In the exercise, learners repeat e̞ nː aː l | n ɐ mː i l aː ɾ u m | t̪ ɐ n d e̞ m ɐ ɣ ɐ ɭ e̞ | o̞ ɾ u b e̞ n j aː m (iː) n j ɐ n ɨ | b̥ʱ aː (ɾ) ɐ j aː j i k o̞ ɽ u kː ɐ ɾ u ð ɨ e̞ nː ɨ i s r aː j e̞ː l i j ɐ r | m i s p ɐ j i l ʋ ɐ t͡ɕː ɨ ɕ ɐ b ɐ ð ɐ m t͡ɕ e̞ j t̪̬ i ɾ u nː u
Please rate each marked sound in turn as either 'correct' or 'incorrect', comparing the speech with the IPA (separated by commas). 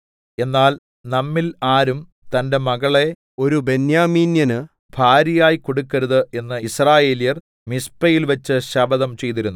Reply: correct, correct